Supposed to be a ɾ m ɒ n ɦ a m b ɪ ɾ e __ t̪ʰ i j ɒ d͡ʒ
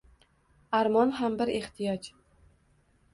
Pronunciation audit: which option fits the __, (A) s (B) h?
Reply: B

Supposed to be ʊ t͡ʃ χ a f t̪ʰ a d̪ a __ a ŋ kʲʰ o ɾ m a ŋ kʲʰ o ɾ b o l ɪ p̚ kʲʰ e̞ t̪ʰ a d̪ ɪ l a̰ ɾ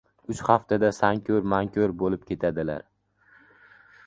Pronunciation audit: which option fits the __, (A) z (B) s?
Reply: B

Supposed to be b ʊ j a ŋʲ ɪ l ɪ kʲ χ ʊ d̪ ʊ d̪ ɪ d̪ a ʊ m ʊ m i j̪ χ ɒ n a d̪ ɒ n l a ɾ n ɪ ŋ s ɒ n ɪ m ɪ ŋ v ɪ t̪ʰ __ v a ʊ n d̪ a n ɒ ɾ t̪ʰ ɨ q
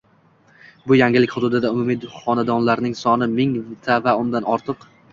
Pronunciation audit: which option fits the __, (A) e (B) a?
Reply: B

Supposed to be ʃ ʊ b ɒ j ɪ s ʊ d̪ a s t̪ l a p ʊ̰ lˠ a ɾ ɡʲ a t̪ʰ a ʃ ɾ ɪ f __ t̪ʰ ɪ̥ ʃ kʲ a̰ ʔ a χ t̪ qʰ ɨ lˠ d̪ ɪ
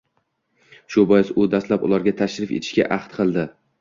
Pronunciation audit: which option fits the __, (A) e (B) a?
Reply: A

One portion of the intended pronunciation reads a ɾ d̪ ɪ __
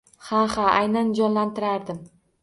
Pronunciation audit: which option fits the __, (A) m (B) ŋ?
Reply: A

